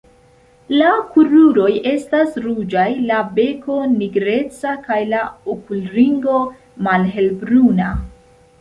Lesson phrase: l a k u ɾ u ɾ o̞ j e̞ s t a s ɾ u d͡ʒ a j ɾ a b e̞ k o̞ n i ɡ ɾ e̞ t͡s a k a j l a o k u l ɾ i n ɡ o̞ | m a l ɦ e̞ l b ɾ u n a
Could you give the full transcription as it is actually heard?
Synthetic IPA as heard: l a k u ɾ u ɾ o̞ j e̞ s t a s ɾ u d͡ʒ a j l a b e̞ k o̞ n i ɡ ɾ e̞ t͡s a k a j l a o k u l ɾ i ŋ ɡ o̞ | m a l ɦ e̞ l b ɾ u n a